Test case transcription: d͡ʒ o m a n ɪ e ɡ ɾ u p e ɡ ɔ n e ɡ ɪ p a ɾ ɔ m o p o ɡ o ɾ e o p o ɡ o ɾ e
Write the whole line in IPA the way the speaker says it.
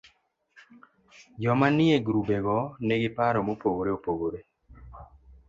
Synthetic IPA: d͡ʒ ɔ m a n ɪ e ɡ ɾ u b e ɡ ɔ n e ɡ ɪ p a ɾ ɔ m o p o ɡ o ɾ e o p o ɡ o ɾ e